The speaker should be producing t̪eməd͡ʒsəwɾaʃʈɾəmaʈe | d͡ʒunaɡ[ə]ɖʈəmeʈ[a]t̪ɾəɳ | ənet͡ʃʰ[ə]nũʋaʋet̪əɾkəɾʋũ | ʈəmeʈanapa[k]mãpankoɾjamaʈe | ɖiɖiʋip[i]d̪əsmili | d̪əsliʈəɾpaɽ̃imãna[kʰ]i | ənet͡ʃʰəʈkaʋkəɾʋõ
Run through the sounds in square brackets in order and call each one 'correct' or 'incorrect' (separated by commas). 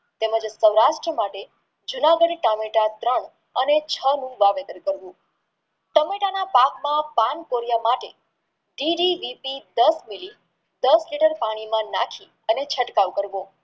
correct, correct, correct, correct, correct, correct